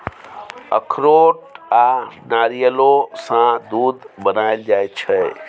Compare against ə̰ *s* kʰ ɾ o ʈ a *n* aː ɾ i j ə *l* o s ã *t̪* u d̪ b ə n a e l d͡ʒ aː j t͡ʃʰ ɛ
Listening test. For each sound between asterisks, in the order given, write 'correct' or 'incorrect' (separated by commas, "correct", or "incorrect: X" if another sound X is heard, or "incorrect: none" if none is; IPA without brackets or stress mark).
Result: incorrect: none, correct, correct, incorrect: d̪